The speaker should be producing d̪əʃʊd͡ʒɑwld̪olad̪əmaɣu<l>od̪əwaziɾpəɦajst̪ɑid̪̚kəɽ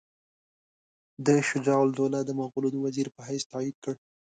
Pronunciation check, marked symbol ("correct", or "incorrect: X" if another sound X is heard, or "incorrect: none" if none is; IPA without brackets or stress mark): correct